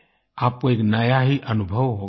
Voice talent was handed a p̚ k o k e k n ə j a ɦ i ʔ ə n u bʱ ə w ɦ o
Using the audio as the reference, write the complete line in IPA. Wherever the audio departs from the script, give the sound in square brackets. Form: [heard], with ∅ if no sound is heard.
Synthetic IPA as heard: a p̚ k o [∅] e k n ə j a ɦ i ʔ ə n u bʱ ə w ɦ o